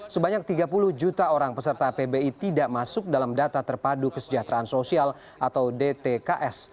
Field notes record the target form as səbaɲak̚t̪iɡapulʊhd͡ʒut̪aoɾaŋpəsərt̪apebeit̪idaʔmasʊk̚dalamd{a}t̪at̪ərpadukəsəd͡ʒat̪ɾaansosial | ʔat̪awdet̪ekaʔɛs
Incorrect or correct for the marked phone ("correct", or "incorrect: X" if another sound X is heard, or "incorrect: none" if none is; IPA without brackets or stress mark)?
correct